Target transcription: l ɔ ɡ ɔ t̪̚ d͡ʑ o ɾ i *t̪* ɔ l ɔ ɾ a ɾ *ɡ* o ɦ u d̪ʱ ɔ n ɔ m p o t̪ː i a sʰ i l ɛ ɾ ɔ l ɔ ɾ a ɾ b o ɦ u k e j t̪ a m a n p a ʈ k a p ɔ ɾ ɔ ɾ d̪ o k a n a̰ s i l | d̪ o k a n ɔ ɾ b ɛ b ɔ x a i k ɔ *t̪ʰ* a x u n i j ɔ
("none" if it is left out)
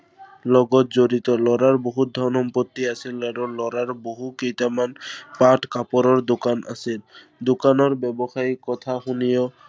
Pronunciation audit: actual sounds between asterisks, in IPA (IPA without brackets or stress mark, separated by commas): t̪, b, t̪ʰ